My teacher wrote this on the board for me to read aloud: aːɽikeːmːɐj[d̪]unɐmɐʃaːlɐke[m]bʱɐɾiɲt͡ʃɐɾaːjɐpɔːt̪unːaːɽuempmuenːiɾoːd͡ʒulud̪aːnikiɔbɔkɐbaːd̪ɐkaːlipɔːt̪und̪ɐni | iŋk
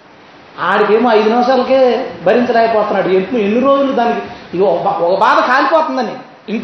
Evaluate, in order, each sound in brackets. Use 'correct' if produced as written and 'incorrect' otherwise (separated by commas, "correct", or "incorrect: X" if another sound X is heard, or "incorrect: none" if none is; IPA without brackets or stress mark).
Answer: correct, incorrect: none